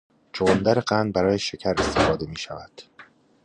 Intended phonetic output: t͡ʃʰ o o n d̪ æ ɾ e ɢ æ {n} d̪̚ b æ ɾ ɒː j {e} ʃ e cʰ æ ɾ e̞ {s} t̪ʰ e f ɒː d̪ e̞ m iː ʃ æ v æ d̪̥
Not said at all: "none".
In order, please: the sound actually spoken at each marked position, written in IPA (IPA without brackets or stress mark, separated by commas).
n, e, s